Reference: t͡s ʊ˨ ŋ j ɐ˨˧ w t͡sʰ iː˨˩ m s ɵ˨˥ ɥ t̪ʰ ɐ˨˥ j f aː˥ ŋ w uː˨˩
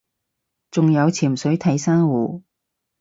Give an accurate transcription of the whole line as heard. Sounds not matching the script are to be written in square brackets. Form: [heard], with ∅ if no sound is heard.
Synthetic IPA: t͡s ʊ˨ ŋ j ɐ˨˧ w t͡sʰ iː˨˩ m s ɵ˨˥ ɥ t̪ʰ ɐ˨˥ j [s] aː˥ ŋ w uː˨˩